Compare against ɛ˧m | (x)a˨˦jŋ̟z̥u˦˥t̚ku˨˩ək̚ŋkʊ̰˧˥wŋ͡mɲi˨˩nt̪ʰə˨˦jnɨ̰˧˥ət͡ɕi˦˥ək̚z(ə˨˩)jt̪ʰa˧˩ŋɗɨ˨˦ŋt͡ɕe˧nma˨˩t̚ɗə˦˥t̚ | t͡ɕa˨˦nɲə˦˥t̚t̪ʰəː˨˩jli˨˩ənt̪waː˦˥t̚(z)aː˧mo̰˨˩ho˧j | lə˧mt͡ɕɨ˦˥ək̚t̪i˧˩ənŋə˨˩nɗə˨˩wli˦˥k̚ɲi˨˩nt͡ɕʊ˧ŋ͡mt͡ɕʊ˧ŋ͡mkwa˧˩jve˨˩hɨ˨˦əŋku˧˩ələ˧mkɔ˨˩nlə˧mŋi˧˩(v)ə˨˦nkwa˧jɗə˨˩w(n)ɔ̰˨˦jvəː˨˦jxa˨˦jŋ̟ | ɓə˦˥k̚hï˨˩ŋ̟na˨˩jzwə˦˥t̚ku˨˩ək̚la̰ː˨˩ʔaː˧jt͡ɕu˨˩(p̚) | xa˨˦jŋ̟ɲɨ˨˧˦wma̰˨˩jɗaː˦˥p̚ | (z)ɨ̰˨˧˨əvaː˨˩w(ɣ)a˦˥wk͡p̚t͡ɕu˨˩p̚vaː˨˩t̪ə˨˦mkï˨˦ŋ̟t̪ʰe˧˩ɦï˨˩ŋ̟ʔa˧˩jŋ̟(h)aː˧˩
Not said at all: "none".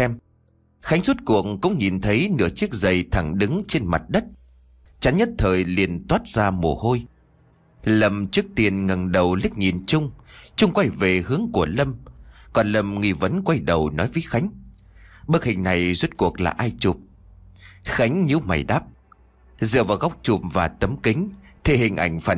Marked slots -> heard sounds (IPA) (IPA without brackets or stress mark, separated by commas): x, ə˨˩, z, v, n, p̚, z, ɣ, f